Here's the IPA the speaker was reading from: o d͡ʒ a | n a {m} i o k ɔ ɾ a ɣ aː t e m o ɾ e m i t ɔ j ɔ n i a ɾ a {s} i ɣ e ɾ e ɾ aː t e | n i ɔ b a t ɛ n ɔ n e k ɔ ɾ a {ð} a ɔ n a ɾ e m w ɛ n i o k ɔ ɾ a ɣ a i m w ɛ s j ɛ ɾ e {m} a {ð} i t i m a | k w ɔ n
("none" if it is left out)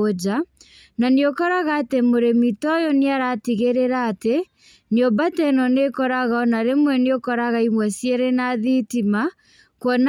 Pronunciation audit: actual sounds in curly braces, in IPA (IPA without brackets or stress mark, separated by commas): n, t, ɣ, n, ð